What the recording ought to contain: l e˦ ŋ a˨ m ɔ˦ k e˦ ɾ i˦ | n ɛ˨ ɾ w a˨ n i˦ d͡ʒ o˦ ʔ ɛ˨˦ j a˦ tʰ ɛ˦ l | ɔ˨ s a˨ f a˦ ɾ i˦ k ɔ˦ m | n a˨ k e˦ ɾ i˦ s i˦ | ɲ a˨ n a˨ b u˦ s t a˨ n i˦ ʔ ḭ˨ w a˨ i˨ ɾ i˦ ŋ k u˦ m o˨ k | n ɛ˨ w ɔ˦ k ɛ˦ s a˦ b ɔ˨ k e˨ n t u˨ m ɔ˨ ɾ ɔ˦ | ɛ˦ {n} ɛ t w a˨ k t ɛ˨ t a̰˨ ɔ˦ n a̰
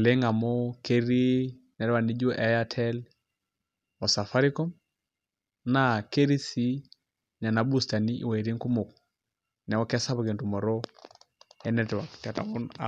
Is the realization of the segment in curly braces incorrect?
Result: no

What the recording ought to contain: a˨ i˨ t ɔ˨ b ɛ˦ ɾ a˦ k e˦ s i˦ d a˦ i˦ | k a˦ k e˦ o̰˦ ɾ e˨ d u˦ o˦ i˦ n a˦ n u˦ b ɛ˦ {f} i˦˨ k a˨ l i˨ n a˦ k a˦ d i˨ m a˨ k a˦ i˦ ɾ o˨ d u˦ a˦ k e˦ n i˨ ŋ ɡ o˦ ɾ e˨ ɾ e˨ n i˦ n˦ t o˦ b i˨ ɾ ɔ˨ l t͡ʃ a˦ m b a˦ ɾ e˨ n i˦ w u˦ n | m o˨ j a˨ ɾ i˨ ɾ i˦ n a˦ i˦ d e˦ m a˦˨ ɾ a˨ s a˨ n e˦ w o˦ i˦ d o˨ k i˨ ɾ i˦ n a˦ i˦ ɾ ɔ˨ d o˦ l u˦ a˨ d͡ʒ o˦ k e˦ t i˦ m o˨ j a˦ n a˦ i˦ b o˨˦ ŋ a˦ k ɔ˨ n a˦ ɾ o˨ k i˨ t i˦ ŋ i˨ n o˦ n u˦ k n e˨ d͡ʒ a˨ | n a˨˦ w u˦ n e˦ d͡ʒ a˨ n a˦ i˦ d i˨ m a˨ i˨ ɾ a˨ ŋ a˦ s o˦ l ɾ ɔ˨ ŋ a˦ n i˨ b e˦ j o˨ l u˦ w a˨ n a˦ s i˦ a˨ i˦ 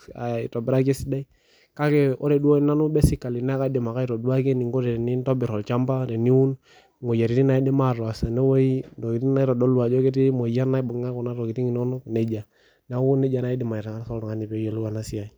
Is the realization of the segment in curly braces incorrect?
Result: yes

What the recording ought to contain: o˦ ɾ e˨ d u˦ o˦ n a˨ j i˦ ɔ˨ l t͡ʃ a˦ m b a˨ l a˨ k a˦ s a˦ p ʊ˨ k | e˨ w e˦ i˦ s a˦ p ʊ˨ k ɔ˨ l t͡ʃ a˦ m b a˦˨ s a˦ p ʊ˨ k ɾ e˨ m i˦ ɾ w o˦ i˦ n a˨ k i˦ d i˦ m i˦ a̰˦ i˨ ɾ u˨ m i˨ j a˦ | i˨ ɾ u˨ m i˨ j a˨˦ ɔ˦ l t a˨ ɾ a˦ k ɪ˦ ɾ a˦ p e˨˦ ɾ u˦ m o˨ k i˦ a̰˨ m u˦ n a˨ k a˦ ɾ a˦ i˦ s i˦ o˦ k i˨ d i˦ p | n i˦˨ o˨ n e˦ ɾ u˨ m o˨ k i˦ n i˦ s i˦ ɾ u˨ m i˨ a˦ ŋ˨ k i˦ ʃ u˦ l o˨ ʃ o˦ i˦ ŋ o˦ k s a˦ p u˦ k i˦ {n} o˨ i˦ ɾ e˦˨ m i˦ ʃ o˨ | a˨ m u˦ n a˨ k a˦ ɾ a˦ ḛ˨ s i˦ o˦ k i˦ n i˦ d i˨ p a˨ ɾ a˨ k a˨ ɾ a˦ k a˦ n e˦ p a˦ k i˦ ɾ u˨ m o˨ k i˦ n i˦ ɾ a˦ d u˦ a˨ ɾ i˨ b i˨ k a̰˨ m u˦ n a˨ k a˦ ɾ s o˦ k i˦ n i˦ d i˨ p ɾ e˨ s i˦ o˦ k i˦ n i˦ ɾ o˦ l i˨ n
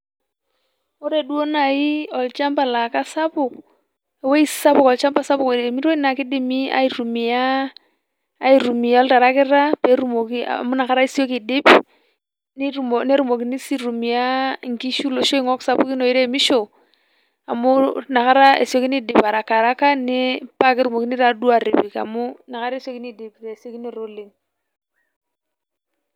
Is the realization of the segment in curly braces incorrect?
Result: no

